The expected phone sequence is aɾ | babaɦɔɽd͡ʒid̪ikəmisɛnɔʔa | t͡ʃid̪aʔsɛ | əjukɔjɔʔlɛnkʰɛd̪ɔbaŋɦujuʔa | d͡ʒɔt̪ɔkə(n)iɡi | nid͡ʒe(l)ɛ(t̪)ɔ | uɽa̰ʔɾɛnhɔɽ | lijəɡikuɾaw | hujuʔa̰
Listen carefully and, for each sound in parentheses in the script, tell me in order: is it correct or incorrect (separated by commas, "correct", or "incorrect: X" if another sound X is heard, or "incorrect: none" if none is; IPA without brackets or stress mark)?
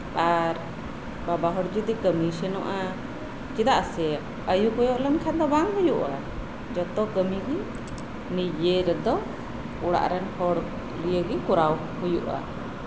incorrect: m, incorrect: ɾ, incorrect: d̪